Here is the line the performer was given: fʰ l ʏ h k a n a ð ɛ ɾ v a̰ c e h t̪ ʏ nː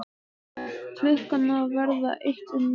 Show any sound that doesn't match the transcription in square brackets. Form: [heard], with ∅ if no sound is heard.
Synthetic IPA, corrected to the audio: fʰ l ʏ h k a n a [v] ɛ ɾ [ð] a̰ [ʔ] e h t̪ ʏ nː